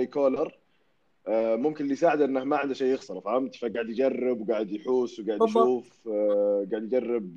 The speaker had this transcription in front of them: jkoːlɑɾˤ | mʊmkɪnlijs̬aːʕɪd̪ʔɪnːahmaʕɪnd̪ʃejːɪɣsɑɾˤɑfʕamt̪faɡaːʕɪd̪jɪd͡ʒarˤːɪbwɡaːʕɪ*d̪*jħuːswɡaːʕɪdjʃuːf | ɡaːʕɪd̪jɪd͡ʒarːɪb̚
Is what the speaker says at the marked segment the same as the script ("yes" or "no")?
yes